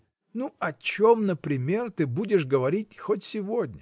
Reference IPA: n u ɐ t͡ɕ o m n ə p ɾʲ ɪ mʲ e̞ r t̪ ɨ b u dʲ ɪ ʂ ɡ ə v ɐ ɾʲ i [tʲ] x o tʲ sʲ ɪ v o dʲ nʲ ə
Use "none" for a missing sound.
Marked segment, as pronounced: tʲ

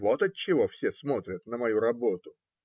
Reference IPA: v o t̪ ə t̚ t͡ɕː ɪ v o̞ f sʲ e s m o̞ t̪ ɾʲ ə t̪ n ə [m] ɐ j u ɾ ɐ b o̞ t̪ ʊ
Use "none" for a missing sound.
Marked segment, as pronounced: m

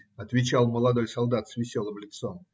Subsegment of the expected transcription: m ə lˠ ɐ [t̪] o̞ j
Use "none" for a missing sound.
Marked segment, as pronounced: d̪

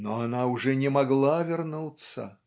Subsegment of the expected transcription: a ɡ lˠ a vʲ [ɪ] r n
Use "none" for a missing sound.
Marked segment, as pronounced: ɪ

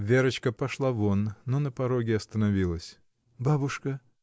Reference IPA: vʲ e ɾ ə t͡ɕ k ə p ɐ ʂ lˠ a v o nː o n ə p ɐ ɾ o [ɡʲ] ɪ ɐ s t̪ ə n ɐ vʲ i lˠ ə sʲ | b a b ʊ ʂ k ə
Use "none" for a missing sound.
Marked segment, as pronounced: ɡʲ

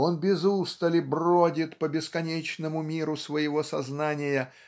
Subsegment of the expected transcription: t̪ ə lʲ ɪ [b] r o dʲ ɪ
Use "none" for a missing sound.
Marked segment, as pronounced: b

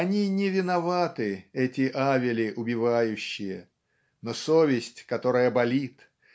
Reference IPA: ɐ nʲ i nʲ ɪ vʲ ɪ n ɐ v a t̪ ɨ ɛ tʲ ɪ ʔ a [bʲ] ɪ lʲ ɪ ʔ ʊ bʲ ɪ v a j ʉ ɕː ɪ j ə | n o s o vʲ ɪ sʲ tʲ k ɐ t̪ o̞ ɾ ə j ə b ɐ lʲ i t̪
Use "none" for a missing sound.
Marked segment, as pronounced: vʲ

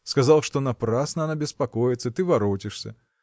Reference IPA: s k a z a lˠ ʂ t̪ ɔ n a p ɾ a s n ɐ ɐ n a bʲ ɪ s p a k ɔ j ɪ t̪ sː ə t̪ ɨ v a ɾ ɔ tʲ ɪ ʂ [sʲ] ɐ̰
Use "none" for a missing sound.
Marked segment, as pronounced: sʲ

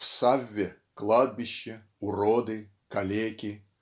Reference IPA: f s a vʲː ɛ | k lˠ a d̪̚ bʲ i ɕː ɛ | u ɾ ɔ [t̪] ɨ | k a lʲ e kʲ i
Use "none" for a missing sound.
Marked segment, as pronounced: d̪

